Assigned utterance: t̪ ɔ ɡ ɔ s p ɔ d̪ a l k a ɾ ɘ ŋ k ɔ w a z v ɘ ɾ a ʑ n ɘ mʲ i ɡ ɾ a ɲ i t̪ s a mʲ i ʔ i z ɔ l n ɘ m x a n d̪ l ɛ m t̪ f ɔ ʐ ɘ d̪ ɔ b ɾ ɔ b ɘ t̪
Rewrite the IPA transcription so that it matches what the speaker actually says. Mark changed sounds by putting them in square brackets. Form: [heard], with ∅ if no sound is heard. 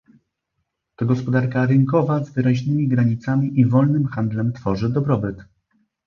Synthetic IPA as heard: t̪ ɔ ɡ ɔ s p ɔ d̪ a [ɾ] k a ɾ ɘ ŋ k ɔ [v] a z v ɘ ɾ a ʑ n ɘ mʲ i ɡ ɾ a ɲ i t̪ s a mʲ i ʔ i [v] ɔ l n ɘ m x a n d̪ l ɛ m t̪ f ɔ ʐ ɘ d̪ ɔ b ɾ ɔ b ɘ t̪